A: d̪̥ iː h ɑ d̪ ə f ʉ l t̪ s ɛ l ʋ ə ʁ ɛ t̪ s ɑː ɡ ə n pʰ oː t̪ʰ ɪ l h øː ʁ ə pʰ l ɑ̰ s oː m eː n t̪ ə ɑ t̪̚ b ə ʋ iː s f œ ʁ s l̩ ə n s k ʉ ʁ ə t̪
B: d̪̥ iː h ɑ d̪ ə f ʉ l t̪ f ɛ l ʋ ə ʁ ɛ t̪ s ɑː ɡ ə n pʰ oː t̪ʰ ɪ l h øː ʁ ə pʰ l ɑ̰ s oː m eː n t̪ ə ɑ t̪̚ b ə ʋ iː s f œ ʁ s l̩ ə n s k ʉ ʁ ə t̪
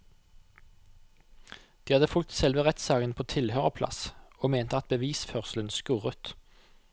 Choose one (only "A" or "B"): A